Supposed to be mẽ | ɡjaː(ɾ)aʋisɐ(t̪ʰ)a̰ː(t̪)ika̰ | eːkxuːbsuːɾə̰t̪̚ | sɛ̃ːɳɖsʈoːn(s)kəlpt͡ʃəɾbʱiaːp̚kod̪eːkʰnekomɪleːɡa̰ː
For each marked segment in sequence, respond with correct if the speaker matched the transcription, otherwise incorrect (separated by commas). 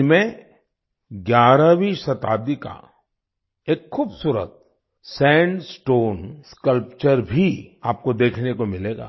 correct, incorrect, incorrect, correct